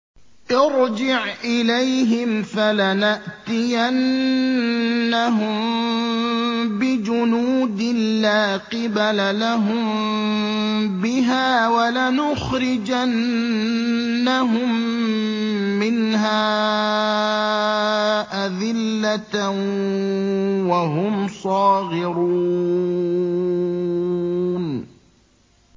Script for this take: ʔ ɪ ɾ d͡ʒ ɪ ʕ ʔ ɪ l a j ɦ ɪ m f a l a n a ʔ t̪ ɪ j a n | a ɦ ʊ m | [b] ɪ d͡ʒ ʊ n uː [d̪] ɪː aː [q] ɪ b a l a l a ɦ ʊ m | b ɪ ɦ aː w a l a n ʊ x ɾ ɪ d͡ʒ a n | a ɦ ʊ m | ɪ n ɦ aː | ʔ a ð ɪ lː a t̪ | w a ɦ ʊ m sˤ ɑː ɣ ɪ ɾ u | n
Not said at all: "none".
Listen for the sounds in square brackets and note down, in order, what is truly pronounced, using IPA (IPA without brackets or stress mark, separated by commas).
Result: b, d̪, q